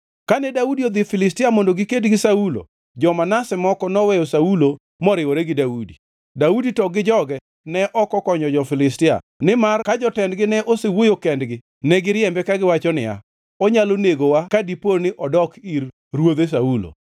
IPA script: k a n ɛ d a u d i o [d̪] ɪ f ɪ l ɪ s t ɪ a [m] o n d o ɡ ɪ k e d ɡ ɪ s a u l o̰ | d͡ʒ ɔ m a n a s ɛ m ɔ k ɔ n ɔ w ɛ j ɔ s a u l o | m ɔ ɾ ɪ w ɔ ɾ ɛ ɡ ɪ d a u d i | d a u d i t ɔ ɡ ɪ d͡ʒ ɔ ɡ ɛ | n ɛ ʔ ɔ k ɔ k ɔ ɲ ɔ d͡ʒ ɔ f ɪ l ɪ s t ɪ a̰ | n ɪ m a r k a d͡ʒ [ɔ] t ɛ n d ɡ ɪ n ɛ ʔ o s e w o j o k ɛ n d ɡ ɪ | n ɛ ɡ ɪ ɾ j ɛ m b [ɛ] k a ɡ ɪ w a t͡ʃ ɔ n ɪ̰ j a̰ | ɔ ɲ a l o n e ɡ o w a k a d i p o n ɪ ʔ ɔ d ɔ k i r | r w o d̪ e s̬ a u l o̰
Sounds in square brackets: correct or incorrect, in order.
correct, correct, correct, correct

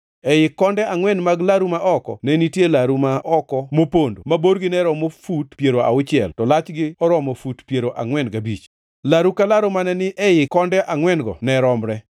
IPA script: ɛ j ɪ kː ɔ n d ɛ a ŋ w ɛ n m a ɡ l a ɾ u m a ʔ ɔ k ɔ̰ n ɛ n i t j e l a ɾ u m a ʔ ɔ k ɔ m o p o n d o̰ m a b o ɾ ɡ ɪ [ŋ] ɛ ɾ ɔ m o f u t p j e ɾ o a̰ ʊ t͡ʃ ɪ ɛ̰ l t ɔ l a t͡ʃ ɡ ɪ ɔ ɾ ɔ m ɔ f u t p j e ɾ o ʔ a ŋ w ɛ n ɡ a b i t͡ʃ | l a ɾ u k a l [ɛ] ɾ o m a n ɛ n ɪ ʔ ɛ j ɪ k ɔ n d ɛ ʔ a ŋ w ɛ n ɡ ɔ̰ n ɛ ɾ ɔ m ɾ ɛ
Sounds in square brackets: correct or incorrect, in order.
incorrect: n, incorrect: a

